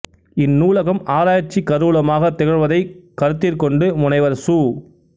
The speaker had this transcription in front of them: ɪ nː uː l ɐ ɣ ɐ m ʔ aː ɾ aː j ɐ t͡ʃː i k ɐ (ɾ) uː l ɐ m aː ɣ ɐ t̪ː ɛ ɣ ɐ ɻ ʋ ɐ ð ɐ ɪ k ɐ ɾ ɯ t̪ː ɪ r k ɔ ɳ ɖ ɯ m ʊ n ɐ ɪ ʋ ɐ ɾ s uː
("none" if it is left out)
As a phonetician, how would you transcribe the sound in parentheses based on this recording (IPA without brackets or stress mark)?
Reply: ɾ